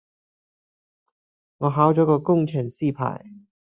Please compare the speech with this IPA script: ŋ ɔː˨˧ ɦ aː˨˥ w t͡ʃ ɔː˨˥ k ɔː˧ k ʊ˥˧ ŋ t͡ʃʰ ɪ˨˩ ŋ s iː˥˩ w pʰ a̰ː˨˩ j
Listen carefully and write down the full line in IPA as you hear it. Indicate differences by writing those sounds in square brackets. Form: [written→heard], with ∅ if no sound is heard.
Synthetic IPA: ŋ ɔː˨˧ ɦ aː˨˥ w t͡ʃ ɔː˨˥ k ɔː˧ k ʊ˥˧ ŋ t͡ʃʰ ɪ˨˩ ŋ s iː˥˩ [w→∅] pʰ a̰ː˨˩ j